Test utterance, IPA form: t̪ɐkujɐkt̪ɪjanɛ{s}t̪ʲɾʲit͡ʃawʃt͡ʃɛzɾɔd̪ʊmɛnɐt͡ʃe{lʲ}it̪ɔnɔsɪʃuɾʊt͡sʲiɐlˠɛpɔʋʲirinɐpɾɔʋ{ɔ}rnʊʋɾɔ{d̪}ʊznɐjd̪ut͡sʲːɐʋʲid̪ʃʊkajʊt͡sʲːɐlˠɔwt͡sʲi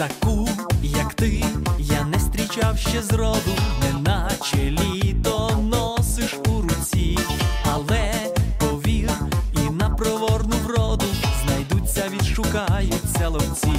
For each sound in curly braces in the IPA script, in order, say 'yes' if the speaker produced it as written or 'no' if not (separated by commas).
yes, yes, yes, yes